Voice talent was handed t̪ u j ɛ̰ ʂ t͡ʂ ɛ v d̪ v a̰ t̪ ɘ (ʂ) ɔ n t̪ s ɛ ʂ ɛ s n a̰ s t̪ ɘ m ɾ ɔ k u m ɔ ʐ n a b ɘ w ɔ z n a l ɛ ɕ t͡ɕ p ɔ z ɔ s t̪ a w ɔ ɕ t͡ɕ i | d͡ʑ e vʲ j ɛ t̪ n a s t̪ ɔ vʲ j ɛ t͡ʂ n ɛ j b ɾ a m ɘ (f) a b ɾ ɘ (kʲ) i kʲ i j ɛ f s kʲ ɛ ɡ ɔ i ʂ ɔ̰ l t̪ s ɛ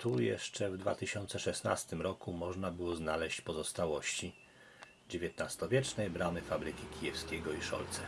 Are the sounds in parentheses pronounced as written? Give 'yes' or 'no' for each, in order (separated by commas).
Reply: no, yes, yes